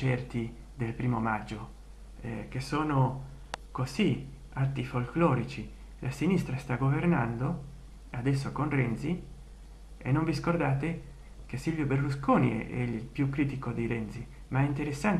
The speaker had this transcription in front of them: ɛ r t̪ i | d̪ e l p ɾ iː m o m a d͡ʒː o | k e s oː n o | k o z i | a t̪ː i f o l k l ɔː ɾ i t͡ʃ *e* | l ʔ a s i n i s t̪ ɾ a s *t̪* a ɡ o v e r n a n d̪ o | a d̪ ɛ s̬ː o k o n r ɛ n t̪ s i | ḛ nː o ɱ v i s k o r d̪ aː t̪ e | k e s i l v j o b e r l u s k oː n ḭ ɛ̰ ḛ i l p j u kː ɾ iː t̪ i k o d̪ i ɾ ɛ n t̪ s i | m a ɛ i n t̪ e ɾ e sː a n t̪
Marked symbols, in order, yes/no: no, yes

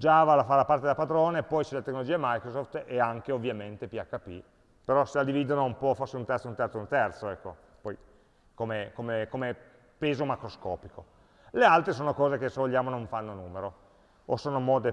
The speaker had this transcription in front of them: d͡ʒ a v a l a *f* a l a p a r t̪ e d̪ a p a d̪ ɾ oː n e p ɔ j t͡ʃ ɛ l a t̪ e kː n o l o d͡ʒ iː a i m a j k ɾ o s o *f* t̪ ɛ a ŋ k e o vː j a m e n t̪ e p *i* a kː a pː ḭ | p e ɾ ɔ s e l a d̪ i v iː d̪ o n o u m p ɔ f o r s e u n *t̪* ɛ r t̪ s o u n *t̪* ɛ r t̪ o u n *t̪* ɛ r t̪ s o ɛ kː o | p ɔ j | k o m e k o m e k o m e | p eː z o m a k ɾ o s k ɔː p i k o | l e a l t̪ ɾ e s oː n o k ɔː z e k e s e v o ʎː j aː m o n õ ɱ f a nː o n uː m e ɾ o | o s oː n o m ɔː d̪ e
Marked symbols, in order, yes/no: yes, yes, yes, yes, yes, yes

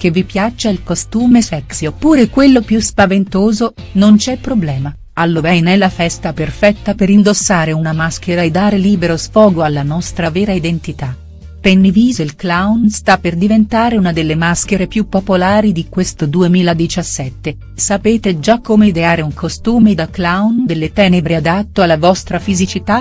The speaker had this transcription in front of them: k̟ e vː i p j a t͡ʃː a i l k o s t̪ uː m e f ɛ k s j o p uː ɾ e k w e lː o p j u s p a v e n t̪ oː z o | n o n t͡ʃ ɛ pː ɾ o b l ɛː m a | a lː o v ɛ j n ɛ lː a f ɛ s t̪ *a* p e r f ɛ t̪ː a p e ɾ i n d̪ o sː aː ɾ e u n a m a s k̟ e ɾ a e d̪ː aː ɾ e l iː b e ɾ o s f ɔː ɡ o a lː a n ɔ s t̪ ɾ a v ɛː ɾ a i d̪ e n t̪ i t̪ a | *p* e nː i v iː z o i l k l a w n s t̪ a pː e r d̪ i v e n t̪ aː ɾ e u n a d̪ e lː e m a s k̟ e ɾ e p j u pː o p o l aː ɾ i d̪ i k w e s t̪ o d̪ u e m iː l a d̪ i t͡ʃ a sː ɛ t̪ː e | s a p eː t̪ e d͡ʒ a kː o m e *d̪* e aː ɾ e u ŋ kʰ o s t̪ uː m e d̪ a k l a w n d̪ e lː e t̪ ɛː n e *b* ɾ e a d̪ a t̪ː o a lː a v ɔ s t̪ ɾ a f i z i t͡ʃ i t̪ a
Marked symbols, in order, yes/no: yes, yes, yes, yes

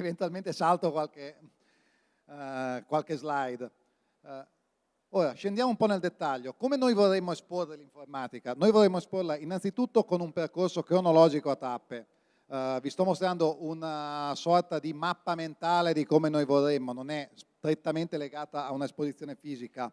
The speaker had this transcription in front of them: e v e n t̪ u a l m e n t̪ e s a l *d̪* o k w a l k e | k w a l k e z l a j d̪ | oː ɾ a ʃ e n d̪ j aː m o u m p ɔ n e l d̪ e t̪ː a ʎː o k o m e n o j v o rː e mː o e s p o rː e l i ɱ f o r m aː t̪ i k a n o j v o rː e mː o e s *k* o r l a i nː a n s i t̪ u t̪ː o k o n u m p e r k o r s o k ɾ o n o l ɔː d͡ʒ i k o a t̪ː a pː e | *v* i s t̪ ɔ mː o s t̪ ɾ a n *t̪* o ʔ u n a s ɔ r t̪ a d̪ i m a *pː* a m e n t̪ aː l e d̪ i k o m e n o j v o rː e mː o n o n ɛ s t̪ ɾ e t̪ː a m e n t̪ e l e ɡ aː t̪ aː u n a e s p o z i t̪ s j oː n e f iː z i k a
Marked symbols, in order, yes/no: no, no, yes, no, yes

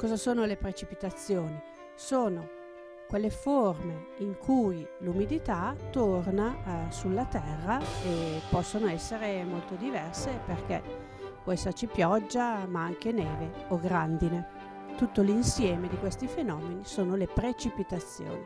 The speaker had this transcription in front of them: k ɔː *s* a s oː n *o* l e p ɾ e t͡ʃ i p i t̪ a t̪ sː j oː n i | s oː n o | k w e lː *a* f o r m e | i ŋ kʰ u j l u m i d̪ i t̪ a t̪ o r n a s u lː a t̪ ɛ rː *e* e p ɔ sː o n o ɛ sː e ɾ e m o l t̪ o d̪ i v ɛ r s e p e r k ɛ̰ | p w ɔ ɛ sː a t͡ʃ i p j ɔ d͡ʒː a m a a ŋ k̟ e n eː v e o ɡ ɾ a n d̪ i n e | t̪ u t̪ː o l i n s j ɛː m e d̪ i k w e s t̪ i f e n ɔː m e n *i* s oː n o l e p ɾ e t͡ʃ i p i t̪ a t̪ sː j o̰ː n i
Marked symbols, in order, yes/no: no, yes, no, no, yes

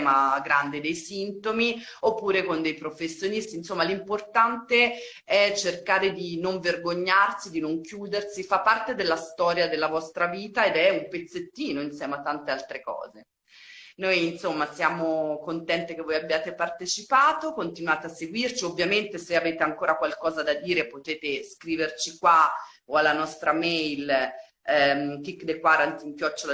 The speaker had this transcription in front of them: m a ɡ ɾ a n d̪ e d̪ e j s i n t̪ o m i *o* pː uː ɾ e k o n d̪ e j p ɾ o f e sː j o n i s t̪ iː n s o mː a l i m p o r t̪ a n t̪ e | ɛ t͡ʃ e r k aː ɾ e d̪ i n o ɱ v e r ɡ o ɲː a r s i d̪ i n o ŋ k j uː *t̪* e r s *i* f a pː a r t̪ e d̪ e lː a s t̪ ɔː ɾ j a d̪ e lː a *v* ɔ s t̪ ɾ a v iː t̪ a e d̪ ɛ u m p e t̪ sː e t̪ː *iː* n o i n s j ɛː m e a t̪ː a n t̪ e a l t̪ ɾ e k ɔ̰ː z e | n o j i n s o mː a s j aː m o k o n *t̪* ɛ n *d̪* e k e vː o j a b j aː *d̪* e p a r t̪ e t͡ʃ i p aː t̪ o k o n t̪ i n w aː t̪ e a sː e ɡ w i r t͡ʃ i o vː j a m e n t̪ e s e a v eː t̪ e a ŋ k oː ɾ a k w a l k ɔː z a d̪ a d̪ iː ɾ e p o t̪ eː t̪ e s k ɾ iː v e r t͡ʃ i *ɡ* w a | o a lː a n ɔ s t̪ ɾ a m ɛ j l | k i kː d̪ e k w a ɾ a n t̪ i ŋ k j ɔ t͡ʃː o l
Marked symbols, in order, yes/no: yes, no, yes, yes, yes, yes, no, no, no

